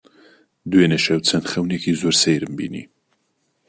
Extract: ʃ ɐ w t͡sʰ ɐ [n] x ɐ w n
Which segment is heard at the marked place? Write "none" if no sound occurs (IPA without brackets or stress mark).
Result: n